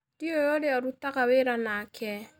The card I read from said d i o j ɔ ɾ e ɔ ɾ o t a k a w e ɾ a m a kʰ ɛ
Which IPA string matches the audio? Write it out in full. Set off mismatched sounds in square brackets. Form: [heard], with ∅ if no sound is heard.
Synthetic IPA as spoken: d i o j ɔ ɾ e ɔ ɾ [u] t a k a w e ɾ a [n] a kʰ ɛ